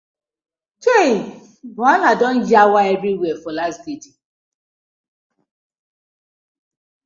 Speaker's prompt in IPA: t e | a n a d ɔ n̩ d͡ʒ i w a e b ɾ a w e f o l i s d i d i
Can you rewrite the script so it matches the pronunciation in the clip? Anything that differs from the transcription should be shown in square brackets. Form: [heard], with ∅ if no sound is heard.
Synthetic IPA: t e | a n a d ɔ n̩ d͡ʒ [a] w a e b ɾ [i] w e f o l [a] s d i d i